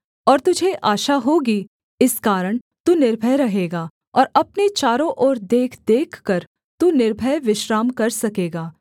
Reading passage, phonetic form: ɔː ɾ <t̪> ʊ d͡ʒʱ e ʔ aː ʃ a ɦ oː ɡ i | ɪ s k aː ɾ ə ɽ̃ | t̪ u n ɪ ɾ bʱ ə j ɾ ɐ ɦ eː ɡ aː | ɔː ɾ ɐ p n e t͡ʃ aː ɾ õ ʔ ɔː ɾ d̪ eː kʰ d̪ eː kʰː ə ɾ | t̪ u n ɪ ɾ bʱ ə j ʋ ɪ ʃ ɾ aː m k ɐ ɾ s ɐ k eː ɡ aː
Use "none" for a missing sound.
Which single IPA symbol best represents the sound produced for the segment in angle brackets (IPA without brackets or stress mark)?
t̪